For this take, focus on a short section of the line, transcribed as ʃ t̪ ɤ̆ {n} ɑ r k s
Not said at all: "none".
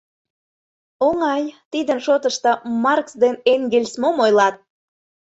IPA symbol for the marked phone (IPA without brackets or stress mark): m